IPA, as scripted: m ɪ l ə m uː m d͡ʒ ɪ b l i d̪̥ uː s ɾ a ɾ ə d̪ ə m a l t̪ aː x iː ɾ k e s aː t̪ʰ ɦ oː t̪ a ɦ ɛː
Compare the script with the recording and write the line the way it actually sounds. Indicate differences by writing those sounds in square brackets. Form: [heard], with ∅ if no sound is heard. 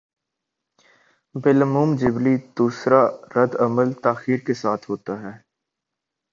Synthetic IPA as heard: [b] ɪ l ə m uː m d͡ʒ ɪ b l i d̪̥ uː s ɾ a ɾ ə d̪ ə m [ə] l t̪ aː x iː ɾ k e s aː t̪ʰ ɦ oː t̪ a ɦ ɛː